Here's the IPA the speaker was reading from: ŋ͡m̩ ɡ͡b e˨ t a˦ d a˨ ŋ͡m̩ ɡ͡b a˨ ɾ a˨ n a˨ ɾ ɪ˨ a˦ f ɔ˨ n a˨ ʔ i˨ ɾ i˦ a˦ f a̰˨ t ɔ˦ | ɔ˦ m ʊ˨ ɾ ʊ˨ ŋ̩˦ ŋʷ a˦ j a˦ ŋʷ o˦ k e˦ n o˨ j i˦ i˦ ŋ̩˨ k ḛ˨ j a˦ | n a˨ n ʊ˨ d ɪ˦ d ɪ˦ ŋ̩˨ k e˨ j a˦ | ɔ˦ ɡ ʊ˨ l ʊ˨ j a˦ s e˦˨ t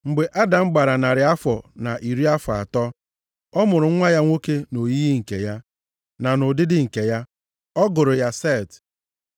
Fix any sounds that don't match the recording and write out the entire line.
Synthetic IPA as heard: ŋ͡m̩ ɡ͡b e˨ ʔ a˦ d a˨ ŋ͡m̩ ɡ͡b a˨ ɾ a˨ n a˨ ɾ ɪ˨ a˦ f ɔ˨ n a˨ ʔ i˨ ɾ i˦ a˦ f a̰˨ t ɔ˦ | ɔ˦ m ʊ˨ ɾ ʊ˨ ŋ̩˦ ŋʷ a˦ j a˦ ŋʷ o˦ k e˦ n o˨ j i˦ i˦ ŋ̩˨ k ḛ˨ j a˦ | n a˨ n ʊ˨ d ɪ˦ d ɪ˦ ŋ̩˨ k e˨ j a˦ | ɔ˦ ɡ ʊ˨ ɾ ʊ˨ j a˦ s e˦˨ t

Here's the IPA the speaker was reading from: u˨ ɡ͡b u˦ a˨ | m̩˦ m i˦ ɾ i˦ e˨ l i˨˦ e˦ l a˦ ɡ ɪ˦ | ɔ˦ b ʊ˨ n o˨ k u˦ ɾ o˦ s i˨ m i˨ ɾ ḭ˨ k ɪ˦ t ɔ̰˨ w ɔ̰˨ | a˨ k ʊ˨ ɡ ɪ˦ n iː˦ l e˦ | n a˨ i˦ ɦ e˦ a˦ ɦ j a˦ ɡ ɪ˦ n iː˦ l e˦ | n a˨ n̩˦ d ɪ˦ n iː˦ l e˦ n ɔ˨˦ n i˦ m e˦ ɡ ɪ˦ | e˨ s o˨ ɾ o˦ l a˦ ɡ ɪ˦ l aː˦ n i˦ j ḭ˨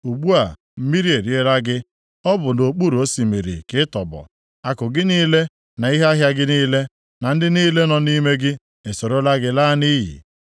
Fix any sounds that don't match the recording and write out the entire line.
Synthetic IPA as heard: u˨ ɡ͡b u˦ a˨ | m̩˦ m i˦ ɾ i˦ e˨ ɾ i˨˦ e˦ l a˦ ɡ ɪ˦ | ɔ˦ b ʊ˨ n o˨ k͡p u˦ ɾ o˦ s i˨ m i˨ ɾ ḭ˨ k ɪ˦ t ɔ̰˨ b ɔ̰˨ | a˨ k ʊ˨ ɡ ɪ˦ n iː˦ l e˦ | n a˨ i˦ ɦ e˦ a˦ ɦ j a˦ ɡ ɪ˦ n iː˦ l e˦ | n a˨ n̩˦ d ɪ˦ n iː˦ l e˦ n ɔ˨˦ n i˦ m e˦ ɡ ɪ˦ | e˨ s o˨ ɾ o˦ l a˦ ɡ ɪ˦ l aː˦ n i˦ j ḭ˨

